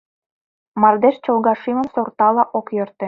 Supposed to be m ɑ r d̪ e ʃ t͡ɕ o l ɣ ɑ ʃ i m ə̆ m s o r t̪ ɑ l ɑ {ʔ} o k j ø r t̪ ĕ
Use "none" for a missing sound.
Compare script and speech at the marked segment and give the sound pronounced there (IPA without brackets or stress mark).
ʔ